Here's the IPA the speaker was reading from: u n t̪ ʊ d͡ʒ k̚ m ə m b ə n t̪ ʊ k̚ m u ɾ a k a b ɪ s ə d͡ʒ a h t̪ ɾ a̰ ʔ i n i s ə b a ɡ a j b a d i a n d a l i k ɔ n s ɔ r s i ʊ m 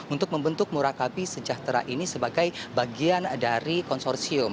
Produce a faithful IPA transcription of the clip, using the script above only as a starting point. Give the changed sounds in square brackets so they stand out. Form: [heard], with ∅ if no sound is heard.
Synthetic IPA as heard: u n t̪ ʊ [∅] k̚ m ə m b ə n t̪ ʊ k̚ m u ɾ a k a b [i] s ə d͡ʒ a h t̪ ɾ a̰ ʔ i n i s ə b a ɡ a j b a [ɡ] i a n d a [ɾ] i k ɔ n s ɔ r s i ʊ m